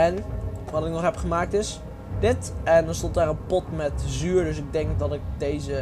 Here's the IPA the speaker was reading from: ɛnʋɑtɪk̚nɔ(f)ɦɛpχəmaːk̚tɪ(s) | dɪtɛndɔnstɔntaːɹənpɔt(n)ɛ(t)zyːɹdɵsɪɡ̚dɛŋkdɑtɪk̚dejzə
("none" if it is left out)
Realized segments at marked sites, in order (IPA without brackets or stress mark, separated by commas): χ, s, m, t